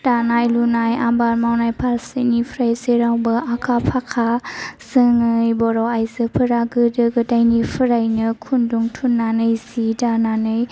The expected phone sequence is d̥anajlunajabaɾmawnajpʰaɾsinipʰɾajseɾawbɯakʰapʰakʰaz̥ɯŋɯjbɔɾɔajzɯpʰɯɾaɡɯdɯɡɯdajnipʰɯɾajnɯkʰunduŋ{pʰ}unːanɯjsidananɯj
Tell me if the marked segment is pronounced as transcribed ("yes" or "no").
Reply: no